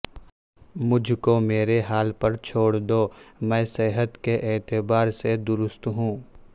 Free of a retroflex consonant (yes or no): no